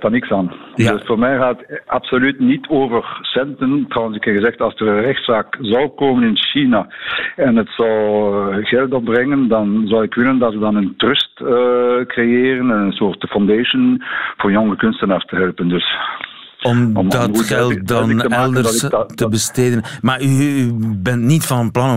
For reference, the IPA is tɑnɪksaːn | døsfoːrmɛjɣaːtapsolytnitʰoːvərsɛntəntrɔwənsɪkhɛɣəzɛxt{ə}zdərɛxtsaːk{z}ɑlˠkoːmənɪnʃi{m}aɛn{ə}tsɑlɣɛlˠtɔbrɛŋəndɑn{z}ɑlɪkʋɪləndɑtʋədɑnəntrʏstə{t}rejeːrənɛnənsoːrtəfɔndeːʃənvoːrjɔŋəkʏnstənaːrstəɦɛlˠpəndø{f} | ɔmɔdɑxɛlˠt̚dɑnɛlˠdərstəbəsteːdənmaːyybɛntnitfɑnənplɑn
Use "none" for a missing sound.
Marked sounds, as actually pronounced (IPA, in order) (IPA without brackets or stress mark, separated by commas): ɑ, z, n, ə, z, k, s